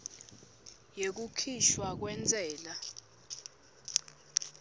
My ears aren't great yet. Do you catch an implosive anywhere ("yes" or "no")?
no